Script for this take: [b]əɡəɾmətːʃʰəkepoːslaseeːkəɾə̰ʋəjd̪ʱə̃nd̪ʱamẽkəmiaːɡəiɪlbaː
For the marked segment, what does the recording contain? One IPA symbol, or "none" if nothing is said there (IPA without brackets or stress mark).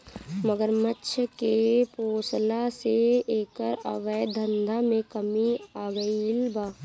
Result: m